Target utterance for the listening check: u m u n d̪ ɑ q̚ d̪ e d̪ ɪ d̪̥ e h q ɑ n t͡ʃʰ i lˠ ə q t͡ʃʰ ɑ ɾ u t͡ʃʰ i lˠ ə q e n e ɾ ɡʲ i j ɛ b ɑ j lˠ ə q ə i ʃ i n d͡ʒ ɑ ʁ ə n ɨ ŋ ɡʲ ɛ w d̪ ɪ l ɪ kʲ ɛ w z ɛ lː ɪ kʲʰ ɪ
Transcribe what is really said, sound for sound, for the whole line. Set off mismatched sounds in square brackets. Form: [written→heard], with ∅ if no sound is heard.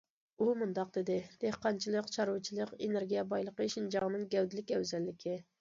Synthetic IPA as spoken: u m u n d̪ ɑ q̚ d̪ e d̪ ɪ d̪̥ e h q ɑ n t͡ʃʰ i lˠ ə q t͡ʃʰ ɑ ɾ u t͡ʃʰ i lˠ ə q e n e ɾ ɡʲ i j ɛ b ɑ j lˠ ə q ə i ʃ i n d͡ʒ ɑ ʁ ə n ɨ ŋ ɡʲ ɛ w d̪ ɪ l ɪ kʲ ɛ w z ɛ lː ɪ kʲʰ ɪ